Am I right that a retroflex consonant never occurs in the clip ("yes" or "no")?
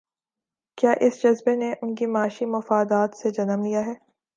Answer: yes